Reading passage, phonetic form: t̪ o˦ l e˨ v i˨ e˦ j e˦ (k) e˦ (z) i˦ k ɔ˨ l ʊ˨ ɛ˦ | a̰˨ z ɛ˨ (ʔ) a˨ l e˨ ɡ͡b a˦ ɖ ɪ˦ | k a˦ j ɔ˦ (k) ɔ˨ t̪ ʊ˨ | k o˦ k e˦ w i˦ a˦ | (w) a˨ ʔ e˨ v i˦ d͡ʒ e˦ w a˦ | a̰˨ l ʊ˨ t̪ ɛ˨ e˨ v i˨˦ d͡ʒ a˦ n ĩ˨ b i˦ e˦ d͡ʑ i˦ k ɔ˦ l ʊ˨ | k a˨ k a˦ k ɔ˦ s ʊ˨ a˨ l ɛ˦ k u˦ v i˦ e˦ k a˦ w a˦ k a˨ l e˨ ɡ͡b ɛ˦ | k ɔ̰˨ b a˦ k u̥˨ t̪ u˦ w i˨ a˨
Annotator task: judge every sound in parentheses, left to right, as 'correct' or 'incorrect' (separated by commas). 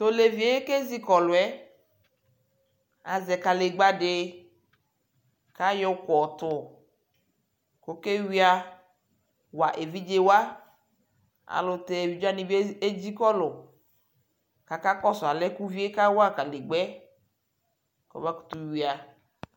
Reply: correct, correct, incorrect, correct, correct